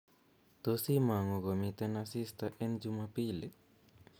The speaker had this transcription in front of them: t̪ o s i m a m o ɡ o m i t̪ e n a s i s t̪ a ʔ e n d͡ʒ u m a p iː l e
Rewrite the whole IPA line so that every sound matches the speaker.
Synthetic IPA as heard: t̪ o s i m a ŋ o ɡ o m i t̪ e n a s i s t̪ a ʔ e n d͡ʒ u m a p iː l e